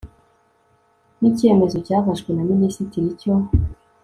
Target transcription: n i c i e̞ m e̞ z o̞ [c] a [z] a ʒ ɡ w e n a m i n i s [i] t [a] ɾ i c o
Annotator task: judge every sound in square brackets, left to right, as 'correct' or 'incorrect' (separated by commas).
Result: correct, incorrect, correct, incorrect